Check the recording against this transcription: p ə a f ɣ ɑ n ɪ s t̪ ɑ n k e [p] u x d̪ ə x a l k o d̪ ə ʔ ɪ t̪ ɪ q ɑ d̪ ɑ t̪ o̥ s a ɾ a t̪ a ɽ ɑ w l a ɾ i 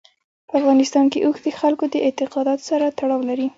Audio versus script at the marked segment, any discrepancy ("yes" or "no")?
yes